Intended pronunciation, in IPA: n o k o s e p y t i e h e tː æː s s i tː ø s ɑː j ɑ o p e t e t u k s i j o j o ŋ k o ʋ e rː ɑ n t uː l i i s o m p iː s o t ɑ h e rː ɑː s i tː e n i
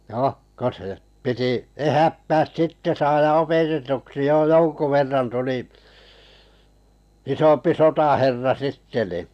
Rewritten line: n o k o s e p i t i e h æ tː æː s s i tː e s ɑː j ɑ o p e t e t u k s i j o j o ŋ k u ʋ e rː ɑ n t u l i i s o m p i s o t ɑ h e rː ɑ s i tː e n i